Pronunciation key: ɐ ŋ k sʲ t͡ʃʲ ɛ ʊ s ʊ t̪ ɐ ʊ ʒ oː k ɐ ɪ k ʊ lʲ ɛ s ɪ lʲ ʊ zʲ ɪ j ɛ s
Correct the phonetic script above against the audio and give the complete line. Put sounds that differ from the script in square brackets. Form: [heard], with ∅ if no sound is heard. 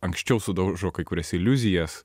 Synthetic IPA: ɐ ŋ k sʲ t͡ʃʲ ɛ ʊ s ʊ [d̪] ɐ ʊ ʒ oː k ɐ ɪ k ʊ [ɾʲ] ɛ s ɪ lʲ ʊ zʲ ɪ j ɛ s